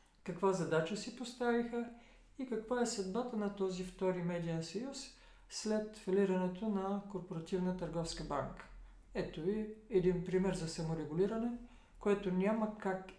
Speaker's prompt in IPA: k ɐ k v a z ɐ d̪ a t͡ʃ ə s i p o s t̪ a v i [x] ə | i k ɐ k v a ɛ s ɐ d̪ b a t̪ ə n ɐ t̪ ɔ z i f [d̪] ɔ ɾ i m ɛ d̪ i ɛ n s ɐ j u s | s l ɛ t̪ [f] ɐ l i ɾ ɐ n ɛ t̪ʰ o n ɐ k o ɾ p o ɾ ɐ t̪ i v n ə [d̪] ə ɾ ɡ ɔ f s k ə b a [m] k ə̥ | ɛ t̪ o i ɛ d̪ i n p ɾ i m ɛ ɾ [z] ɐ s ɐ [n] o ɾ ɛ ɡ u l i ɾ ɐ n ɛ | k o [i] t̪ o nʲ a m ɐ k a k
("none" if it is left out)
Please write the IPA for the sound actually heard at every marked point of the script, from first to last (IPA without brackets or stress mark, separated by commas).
x, t̪, f, t̪, ŋ, z, m, ɛ